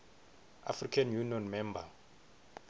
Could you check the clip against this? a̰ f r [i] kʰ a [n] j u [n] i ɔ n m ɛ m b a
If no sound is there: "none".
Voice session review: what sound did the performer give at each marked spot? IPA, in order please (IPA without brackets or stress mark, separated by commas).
i, n, n